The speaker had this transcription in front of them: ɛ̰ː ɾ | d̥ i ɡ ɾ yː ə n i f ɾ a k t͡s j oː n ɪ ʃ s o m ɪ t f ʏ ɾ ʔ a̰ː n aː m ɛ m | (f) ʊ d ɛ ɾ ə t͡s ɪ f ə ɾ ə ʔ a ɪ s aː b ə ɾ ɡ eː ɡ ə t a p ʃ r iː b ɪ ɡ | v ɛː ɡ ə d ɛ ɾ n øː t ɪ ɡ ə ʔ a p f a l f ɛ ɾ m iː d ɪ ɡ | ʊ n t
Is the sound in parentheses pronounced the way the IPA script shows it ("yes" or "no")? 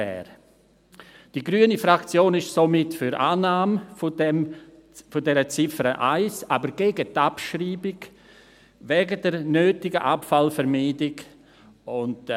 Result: yes